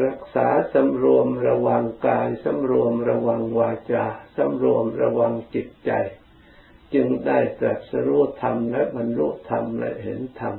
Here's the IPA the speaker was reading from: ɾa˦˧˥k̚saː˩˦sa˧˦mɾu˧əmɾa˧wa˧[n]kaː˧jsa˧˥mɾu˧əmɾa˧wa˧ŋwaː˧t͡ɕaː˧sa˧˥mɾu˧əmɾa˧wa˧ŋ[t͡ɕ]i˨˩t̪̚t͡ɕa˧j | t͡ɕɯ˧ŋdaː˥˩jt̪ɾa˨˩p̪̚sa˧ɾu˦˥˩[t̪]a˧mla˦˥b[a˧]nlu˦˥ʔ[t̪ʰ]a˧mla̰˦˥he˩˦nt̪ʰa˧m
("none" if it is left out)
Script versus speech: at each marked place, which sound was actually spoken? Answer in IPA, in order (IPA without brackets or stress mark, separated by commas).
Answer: ŋ, t͡ɕ, t̪ʰ, a˧, t̪ʰ